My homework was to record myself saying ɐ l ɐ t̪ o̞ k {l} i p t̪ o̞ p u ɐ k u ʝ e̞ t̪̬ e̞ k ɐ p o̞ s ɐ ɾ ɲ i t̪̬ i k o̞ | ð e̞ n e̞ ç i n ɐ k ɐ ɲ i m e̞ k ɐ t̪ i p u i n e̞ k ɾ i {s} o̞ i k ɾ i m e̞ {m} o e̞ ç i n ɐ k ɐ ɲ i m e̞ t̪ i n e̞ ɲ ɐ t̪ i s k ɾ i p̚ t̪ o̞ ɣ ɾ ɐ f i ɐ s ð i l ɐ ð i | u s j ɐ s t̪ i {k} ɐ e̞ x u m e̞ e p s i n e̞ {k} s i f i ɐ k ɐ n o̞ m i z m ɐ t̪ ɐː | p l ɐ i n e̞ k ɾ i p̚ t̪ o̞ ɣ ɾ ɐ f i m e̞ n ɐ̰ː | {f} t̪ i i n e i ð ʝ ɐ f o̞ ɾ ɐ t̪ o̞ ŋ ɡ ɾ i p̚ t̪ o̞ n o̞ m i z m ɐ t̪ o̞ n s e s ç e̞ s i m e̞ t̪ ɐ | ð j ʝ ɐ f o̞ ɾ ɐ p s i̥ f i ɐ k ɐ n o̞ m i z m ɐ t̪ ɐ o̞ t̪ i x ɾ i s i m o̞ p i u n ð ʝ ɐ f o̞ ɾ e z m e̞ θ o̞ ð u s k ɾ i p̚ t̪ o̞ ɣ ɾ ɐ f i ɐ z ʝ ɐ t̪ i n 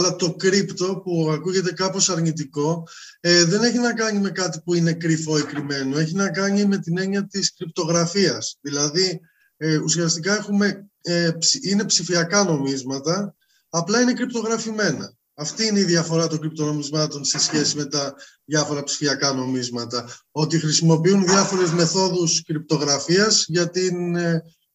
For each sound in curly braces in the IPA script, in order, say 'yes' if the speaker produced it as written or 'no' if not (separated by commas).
no, no, no, yes, no, yes